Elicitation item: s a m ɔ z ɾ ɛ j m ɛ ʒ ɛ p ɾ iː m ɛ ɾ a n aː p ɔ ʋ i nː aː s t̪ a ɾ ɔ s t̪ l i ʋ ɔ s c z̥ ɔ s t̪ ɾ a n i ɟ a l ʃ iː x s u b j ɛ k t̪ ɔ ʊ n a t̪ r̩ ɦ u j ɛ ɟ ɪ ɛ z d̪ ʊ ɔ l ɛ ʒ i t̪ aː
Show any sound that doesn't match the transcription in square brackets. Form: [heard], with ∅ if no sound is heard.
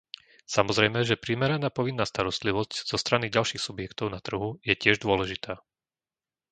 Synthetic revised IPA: s a m ɔ z ɾ ɛ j m ɛ ʒ ɛ p ɾ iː m ɛ ɾ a n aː p ɔ ʋ i nː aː s t̪ a ɾ ɔ s t̪ l i ʋ ɔ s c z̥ ɔ s t̪ ɾ a n i ɟ a l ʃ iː x s u b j ɛ k t̪ ɔ ʊ n a t̪ r̩ ɦ u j ɛ [c] ɪ ɛ [ʒ] d̪ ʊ ɔ l ɛ ʒ i t̪ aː